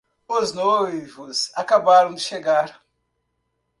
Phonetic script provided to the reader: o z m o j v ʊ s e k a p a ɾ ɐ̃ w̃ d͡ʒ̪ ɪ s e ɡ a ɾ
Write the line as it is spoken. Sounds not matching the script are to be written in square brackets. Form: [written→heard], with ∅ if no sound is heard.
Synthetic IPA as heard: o z [m→n] o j v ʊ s [e→a] k a [p→b] a ɾ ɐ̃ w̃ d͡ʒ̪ ɪ [s→ʃ] e ɡ a ɾ